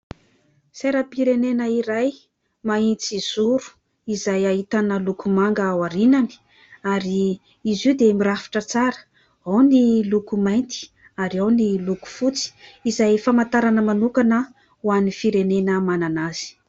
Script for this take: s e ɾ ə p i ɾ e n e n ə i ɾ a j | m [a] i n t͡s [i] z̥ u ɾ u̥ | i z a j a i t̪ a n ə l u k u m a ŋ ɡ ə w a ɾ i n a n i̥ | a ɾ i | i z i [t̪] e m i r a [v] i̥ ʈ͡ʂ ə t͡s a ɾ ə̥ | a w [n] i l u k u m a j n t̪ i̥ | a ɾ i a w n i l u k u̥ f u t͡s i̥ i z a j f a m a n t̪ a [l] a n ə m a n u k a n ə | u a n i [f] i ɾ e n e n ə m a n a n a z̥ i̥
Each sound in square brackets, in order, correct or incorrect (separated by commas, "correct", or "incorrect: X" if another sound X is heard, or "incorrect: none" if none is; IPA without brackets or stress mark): correct, correct, incorrect: d̪, incorrect: f, correct, incorrect: ɾ, correct